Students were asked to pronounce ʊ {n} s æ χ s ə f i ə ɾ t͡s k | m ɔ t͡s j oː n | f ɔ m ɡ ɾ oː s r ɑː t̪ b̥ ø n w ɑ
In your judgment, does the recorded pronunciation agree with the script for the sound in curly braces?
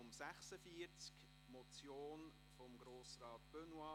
no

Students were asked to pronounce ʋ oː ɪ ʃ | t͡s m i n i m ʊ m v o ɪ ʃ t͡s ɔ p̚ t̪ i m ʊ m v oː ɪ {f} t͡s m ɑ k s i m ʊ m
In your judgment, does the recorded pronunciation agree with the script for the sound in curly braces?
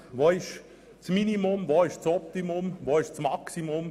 no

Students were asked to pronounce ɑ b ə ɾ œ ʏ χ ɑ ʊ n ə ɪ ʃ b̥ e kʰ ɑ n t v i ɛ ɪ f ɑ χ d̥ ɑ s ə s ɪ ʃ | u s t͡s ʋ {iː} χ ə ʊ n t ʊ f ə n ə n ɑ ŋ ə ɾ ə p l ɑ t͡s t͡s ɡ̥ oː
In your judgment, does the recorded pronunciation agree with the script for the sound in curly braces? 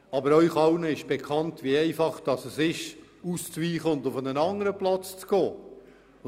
yes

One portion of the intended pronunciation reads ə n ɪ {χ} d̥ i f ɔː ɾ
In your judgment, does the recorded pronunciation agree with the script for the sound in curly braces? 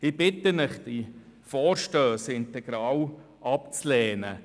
yes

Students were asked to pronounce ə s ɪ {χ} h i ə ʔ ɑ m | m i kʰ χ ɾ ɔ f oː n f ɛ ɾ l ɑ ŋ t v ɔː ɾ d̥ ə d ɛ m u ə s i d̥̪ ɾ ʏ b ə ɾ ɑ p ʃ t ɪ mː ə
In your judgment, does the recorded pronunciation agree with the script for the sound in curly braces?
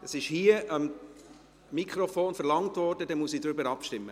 no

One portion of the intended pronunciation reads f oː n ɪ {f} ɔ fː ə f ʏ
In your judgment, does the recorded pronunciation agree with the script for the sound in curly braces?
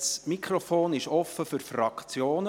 no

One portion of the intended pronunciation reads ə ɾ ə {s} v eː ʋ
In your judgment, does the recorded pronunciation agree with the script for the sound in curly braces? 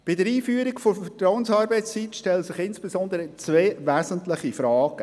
no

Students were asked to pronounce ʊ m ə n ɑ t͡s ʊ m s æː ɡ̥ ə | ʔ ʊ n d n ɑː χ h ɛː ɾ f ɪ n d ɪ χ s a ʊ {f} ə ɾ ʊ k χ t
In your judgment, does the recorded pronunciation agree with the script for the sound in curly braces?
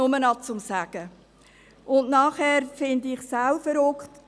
yes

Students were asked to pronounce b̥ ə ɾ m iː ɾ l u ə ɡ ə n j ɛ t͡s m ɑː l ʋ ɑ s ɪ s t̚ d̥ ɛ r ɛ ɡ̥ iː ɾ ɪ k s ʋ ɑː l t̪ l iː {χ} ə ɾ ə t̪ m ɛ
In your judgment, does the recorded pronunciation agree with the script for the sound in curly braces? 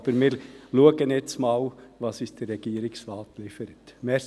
no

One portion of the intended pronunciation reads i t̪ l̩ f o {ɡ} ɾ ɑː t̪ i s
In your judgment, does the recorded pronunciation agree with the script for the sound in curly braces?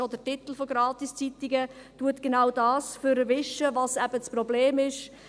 yes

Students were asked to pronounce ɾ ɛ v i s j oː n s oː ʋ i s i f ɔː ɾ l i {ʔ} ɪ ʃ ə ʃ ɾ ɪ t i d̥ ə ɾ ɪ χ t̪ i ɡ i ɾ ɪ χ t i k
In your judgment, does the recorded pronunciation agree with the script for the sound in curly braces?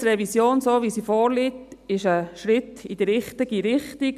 no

